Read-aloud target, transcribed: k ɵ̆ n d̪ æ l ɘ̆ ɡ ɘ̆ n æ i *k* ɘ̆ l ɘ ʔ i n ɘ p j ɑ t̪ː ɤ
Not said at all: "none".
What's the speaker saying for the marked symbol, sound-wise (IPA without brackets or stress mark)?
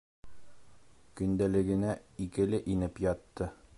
k